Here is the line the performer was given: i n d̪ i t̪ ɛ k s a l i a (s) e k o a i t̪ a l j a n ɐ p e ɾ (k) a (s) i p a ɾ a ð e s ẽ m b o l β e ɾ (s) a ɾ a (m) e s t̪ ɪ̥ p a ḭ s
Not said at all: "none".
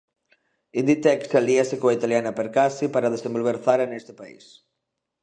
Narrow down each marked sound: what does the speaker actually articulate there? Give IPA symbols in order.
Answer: s, k, s, θ, n

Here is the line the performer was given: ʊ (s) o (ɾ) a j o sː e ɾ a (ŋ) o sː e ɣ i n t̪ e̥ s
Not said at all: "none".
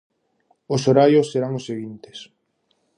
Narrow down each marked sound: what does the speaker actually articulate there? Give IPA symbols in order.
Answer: s, ɾ, ŋ

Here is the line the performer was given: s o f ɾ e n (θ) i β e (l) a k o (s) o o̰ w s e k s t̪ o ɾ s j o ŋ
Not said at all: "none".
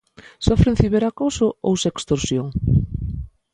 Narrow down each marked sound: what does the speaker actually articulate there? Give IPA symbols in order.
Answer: θ, ɾ, s

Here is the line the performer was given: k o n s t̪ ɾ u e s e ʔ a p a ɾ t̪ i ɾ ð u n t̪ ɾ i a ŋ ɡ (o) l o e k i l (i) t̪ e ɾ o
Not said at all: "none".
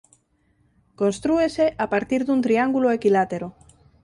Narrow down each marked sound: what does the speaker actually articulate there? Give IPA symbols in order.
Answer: u, a

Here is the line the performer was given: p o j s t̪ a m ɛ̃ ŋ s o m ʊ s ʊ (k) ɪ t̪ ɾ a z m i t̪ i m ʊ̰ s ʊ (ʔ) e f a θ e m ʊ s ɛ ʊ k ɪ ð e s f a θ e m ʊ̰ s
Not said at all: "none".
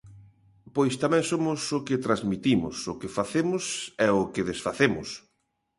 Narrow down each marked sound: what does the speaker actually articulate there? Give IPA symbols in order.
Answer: k, k

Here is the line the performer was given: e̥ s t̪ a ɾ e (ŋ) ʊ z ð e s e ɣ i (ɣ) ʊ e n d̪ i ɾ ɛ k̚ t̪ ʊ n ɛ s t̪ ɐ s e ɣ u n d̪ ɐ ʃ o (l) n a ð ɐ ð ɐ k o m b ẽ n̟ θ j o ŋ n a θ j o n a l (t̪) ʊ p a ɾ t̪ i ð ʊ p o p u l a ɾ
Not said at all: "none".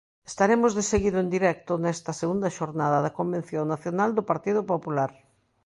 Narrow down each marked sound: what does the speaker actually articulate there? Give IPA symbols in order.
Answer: m, ð, ɾ, d̪

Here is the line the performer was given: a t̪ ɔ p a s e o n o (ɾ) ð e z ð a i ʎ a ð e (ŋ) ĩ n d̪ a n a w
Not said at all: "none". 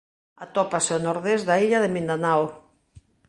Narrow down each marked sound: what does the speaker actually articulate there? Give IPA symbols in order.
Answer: ɾ, m

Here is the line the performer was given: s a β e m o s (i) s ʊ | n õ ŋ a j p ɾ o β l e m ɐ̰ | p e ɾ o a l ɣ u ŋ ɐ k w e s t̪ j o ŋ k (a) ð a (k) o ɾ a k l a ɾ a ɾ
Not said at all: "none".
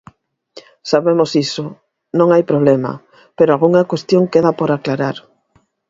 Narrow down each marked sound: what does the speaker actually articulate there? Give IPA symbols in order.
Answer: i, e, p

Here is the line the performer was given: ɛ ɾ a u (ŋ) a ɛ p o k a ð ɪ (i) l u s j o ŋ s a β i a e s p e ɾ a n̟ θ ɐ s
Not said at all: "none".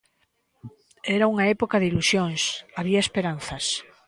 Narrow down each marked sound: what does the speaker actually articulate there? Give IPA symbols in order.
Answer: ŋ, i

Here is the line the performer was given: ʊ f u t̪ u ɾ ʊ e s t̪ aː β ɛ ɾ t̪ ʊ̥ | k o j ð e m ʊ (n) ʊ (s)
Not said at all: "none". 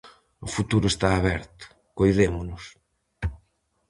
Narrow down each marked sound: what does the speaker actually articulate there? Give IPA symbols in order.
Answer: n, s

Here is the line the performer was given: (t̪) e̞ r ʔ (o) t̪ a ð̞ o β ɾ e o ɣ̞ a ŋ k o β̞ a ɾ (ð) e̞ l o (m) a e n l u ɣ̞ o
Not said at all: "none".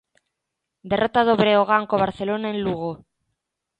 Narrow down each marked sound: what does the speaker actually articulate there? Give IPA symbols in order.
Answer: d̪, o, θ, n

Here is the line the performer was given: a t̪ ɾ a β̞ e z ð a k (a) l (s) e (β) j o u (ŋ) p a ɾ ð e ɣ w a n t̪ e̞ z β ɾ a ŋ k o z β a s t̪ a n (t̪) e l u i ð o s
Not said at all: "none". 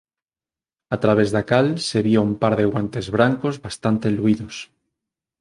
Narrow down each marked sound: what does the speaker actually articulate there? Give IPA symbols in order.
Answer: a, s, β, m, t̪

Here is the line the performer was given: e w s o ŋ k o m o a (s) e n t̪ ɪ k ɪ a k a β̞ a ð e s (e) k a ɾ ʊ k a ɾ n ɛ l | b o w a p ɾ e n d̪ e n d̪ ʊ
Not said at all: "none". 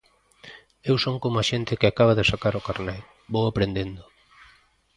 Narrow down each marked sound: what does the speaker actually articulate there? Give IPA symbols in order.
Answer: ʃ, a

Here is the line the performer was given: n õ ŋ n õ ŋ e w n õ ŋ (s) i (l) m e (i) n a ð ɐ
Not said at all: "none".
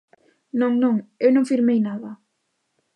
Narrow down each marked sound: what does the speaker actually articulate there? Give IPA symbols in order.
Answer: f, ɾ, j

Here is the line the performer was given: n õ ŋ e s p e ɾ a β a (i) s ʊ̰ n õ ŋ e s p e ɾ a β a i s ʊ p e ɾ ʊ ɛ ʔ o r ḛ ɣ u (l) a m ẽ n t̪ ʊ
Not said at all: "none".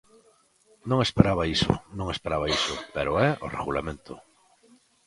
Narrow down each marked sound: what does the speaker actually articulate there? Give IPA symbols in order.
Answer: i, l

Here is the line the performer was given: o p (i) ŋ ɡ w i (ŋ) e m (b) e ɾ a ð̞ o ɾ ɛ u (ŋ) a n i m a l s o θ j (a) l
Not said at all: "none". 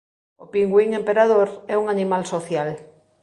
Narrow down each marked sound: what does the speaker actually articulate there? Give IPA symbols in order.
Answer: i, ŋ, p, ŋ, a

